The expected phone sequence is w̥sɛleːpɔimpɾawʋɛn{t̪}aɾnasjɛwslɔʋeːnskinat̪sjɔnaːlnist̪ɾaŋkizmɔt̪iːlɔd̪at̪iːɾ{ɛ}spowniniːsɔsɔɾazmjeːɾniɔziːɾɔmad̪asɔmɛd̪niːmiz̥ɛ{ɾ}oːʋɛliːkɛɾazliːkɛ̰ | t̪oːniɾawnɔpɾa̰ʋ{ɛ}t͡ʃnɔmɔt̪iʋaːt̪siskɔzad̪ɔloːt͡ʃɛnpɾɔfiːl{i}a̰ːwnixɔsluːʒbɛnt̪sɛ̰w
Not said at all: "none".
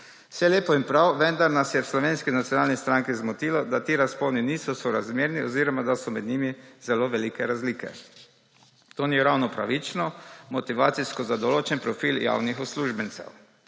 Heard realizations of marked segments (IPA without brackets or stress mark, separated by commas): d̪, a, l, i, j